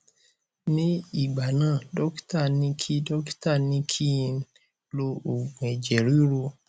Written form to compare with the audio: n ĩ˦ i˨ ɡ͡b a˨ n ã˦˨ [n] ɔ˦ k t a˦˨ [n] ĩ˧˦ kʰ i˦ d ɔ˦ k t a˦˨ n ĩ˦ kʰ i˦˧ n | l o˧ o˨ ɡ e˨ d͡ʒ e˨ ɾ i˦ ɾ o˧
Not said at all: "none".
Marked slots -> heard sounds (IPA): d, n

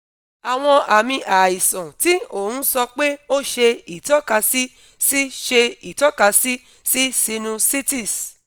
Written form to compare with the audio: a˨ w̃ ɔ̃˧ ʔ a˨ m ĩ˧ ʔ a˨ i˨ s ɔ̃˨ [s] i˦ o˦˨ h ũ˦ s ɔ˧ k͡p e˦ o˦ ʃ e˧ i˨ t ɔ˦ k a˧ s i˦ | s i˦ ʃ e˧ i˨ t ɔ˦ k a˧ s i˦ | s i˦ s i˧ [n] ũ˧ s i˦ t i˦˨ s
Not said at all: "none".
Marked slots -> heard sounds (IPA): t, n

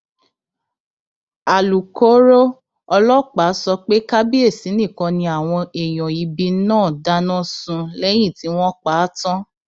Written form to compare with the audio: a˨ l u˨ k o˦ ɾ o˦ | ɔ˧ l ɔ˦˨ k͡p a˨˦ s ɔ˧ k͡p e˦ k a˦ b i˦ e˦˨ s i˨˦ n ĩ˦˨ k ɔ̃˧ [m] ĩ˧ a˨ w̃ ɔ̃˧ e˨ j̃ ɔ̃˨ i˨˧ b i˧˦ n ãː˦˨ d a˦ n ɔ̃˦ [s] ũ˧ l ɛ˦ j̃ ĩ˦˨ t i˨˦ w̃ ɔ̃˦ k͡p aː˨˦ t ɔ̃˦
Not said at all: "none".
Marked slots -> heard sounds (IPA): n, s

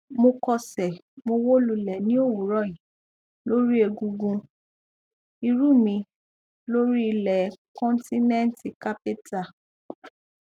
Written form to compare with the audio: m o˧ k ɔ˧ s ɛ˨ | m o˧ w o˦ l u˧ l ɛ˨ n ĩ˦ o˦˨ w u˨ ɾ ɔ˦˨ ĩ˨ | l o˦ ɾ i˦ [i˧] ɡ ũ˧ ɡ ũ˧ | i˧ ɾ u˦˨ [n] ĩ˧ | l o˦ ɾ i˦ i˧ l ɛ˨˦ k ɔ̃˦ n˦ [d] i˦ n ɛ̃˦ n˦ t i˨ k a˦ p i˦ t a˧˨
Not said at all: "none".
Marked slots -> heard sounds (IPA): e˧, m, t

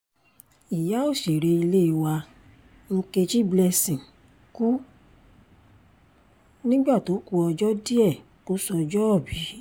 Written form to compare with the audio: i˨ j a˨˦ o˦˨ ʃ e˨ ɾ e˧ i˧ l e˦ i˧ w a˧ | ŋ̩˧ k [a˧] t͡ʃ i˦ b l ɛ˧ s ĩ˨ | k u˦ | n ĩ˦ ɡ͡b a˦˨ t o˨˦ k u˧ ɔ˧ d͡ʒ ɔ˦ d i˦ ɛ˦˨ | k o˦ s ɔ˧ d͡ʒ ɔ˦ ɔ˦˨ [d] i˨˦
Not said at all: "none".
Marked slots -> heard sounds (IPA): e˧, b

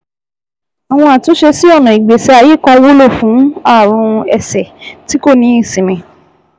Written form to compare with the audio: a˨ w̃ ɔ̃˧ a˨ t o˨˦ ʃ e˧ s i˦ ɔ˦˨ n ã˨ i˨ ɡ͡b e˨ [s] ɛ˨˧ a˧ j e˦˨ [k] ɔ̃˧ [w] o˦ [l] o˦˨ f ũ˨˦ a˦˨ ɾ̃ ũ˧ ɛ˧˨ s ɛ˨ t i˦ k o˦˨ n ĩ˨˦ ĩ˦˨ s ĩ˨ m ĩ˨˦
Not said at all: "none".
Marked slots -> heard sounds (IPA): s, k, w, l

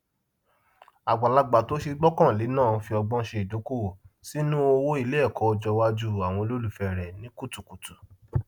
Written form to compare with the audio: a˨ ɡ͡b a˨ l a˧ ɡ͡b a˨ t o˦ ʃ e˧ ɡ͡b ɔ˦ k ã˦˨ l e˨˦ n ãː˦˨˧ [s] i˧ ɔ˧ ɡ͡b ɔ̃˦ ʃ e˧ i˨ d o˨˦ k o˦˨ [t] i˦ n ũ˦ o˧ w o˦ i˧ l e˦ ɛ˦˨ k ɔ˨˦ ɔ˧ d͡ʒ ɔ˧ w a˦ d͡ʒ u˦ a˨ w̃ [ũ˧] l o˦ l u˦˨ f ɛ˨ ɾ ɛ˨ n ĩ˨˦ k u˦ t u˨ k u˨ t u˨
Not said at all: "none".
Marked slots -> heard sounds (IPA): f, s, ɔ̃˧

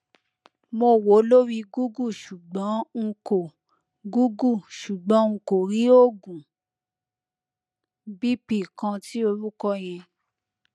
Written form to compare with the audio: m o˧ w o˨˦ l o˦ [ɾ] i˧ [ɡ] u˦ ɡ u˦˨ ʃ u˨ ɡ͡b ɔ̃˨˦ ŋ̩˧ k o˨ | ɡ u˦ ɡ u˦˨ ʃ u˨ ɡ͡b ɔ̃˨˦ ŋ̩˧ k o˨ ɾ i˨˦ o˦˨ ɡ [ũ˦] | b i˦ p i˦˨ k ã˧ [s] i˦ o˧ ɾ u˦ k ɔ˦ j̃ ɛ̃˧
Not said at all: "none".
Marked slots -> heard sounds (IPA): ɾ, ɡ, ũ˨, t

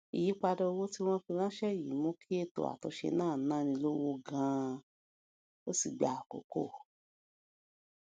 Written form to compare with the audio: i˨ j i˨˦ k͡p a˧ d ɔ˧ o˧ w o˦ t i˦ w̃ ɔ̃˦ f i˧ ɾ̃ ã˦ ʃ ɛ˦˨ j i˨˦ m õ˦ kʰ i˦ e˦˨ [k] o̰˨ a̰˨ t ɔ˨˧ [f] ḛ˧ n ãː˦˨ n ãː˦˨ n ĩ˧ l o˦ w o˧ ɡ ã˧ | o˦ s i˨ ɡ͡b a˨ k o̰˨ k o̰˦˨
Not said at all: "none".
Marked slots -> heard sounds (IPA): t, ʃ

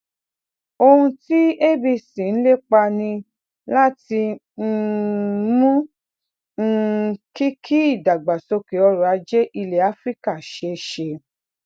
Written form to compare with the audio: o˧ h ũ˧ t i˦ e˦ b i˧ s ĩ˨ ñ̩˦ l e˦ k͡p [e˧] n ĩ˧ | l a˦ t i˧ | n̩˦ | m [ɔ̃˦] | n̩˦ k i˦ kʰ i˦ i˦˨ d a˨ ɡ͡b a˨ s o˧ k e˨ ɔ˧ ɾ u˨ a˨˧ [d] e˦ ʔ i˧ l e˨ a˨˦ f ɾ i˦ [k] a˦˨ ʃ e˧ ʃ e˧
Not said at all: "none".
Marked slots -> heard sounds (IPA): a˧, ũ˦, d͡ʒ, k

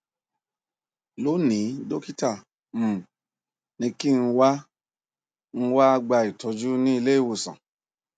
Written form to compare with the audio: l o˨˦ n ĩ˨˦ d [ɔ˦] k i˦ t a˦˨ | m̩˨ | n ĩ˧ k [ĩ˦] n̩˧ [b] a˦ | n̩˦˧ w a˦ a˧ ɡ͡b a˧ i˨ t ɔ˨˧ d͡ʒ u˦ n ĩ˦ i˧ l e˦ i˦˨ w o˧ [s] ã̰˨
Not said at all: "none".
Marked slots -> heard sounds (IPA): o˦, i˦, w, s

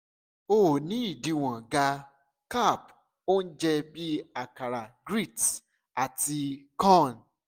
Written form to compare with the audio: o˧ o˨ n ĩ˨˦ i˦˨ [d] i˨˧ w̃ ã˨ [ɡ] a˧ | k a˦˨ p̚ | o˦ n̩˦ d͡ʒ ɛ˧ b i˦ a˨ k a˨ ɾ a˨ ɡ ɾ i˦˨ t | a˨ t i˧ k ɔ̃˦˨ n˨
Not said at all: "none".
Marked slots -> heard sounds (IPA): d, ɡ

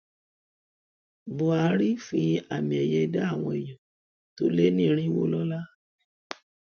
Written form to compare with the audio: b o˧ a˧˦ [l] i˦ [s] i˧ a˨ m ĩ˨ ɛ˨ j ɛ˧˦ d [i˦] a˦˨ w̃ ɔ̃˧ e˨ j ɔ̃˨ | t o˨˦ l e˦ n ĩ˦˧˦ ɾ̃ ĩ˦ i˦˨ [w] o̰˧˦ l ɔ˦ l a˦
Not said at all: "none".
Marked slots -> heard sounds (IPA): ɾ, f, a˦, w

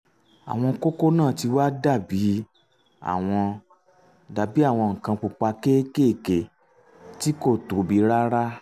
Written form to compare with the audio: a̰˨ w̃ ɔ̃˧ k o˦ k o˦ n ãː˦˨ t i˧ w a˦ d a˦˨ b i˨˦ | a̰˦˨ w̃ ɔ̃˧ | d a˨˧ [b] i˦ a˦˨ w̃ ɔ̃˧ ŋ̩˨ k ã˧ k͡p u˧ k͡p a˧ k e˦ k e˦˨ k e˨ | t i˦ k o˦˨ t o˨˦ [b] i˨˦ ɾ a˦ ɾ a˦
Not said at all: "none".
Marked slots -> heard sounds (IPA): b, b

